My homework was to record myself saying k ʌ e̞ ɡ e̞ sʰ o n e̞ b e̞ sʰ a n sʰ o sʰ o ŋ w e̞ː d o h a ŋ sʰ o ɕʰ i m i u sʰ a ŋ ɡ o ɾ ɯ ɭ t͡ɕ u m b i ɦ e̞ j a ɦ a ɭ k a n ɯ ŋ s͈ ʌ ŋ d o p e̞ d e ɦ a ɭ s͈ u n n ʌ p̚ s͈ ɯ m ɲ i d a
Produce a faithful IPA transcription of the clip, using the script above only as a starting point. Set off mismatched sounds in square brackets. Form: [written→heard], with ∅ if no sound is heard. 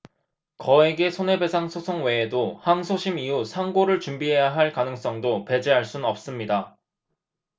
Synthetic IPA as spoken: k ʌ e̞ ɡ e̞ sʰ o n e̞ b e̞ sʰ a [n→ŋ] sʰ o sʰ o ŋ w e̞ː d o h a ŋ sʰ o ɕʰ i m i u sʰ a ŋ ɡ o ɾ ɯ ɭ t͡ɕ u m b i ɦ e̞ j a ɦ a ɭ k a n ɯ ŋ s͈ ʌ ŋ d o p e̞ [d→d͡ʑ] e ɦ a ɭ s͈ u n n ʌ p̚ s͈ ɯ m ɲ i d a